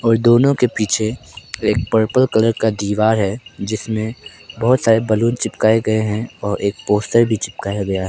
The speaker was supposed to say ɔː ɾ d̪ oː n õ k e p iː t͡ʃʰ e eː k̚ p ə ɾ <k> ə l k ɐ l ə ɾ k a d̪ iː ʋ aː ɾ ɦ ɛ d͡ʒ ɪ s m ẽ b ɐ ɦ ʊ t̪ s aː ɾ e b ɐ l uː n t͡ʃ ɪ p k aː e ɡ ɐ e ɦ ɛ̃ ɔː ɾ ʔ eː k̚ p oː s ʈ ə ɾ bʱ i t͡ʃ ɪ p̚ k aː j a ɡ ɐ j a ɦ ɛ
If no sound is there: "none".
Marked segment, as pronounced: p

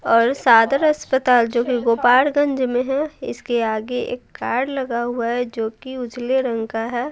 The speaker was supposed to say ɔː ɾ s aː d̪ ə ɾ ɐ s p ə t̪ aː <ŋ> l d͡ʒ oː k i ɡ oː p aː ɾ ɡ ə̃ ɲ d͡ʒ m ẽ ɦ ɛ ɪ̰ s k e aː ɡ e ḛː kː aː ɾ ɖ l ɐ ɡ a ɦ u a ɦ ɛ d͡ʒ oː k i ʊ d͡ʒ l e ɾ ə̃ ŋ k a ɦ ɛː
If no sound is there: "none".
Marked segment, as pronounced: none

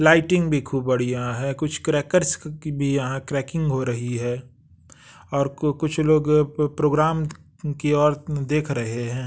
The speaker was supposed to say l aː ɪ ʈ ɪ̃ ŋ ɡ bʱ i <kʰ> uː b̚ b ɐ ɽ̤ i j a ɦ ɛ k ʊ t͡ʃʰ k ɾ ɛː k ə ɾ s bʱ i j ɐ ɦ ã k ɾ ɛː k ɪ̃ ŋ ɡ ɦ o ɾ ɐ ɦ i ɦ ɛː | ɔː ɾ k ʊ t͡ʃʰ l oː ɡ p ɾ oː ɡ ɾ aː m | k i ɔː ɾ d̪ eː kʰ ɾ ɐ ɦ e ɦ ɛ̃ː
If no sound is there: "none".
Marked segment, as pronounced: kʰ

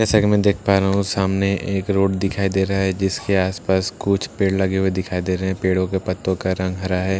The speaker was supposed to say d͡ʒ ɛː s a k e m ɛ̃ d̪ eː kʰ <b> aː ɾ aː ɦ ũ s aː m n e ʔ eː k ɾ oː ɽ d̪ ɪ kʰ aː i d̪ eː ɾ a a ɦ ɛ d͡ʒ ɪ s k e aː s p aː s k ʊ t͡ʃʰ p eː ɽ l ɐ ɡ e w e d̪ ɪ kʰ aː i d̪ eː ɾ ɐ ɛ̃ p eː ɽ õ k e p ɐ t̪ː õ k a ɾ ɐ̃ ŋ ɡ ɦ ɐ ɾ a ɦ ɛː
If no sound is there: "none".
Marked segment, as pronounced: p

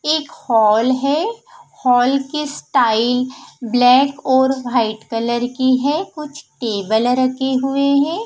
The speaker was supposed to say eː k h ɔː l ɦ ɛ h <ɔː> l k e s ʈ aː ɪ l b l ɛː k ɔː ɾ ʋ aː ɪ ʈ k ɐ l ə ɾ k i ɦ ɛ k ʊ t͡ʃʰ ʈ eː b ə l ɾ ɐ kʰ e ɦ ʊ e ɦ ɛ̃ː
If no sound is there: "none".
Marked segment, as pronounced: ɔː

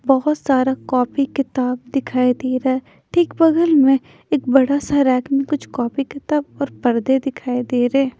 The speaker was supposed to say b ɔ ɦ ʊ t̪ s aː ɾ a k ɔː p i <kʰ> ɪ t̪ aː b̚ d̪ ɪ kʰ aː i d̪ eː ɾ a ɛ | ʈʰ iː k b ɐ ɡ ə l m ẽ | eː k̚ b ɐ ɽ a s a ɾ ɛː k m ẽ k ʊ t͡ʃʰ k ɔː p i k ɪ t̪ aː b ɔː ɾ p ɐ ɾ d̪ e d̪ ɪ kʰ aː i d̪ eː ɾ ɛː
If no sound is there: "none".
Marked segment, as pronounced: k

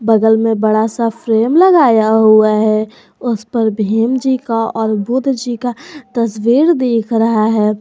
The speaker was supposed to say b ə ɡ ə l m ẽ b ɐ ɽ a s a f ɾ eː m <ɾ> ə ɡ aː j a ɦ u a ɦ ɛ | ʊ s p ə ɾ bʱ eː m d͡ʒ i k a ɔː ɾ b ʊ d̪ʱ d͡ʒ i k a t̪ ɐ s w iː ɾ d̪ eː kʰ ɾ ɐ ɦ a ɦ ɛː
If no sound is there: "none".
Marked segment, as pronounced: l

